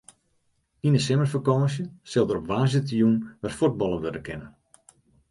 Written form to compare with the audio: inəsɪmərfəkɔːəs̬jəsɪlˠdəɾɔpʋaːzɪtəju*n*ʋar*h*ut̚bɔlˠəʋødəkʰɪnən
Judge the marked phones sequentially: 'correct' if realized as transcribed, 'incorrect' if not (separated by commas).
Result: correct, incorrect